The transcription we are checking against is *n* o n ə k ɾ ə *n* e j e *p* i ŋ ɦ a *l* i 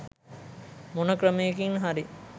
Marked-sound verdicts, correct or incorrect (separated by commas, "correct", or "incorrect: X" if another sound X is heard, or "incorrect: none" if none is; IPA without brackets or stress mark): incorrect: m, incorrect: m, incorrect: k, incorrect: ɾ